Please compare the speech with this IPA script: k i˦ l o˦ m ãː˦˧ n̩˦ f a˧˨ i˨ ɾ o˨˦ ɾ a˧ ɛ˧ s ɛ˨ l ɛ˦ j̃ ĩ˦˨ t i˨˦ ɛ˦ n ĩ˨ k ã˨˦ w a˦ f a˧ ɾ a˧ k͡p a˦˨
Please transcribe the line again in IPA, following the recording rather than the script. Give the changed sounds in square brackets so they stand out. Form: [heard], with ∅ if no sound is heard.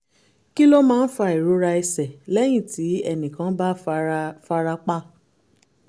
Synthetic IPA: k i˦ l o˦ m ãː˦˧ n̩˦ f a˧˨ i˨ ɾ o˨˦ ɾ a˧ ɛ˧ s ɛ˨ l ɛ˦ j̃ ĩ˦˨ t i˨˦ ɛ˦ n ĩ˨ k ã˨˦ [b] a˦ f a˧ ɾ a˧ k͡p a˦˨